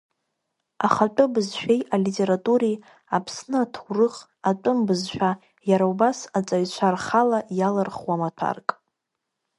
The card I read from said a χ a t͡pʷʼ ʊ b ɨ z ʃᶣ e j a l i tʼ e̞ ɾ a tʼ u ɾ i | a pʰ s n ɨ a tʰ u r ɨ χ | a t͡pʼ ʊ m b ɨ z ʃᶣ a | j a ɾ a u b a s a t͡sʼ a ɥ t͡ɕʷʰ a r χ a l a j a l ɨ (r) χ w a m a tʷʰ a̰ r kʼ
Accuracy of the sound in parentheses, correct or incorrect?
correct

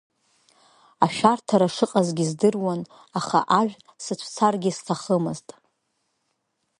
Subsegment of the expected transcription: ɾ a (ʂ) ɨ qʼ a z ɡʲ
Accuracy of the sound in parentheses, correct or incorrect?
correct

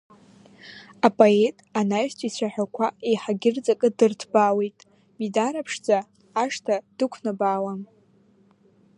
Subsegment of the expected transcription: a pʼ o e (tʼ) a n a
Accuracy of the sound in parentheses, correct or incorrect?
correct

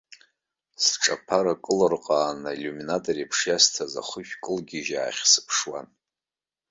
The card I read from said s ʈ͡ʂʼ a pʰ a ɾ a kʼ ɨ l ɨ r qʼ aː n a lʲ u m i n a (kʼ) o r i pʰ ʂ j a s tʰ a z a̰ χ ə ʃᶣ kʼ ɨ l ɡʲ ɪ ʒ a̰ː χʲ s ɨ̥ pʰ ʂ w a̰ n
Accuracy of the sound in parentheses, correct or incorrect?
incorrect: tʼ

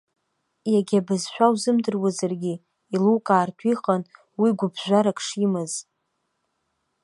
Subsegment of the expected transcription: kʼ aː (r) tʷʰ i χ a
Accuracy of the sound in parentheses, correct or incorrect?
correct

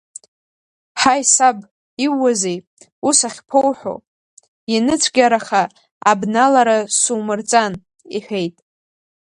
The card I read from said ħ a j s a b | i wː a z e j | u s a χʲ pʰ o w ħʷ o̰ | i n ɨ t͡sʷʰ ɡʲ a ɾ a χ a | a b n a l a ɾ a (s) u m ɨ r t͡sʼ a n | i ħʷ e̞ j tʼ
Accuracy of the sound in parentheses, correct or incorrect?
correct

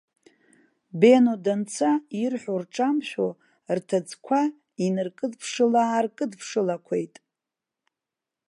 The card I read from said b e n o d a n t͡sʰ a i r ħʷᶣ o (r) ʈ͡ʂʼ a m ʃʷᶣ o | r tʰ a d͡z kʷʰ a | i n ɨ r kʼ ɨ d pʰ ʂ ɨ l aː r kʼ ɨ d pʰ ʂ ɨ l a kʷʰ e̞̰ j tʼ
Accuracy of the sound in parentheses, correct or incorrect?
correct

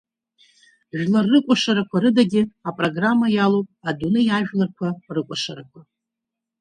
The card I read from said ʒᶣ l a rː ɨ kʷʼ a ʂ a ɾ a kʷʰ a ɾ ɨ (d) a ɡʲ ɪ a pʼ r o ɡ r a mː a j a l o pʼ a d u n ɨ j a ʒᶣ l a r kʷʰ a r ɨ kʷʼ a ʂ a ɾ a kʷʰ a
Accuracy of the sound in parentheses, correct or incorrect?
correct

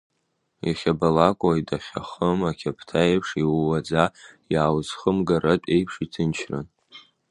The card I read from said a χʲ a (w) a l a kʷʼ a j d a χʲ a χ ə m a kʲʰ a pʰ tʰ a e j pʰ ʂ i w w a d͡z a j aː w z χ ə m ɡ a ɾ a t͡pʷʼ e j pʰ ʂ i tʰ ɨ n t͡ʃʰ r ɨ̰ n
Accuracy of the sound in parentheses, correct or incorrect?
incorrect: b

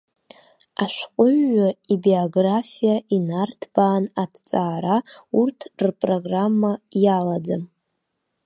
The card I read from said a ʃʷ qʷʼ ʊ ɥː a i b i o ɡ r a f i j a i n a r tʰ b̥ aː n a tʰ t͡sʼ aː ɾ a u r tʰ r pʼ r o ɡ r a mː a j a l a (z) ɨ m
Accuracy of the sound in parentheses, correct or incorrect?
incorrect: d͡z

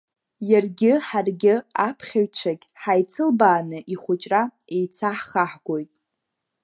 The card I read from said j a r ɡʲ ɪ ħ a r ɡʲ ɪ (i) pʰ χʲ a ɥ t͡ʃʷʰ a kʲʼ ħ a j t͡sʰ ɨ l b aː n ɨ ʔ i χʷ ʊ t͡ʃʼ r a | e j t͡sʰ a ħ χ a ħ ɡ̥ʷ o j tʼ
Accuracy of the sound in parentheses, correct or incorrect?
incorrect: a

